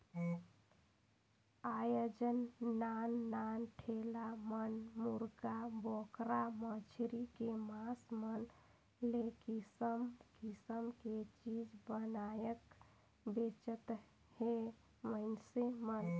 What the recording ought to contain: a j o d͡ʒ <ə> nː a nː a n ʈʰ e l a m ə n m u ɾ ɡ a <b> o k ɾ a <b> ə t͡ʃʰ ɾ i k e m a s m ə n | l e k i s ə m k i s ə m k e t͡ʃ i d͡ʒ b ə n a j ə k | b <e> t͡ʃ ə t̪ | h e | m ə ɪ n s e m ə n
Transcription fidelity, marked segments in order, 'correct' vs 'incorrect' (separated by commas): correct, correct, incorrect, correct